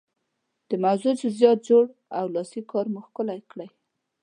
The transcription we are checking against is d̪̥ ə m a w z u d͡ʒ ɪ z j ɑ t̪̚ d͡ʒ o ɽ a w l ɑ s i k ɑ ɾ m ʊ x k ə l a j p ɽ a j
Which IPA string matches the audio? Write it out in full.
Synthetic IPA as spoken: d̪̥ ə m a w z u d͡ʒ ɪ z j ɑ t̪̚ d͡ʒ o ɽ a w l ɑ s i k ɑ ɾ m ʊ x k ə l a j k ɽ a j